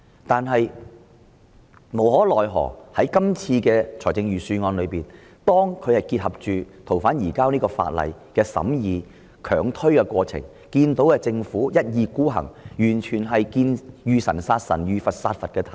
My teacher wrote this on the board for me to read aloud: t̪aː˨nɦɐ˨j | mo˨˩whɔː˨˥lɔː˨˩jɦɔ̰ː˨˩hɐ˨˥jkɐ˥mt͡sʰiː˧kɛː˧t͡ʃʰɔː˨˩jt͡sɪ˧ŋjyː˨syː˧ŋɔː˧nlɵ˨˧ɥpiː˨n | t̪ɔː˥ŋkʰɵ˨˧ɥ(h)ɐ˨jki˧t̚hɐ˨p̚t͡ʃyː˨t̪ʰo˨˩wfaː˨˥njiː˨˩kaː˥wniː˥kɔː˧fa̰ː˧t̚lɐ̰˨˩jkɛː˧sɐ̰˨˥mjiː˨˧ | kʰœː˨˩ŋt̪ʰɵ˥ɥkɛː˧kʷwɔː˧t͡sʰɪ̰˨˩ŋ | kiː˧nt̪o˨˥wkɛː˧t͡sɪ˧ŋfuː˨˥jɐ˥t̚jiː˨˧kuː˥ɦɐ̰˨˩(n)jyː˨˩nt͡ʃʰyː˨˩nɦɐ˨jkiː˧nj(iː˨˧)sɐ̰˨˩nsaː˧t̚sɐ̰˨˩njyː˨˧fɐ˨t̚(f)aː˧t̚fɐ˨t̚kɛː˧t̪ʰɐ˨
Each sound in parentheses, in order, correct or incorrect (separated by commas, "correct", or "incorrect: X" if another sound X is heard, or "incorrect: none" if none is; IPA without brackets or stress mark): correct, incorrect: ŋ, incorrect: yː˨˧, incorrect: s